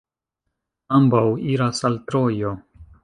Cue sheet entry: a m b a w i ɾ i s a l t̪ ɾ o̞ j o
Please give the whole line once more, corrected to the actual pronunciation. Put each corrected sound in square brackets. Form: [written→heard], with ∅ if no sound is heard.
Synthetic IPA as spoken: a m b a w i ɾ [i→a] s a l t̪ ɾ o̞ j o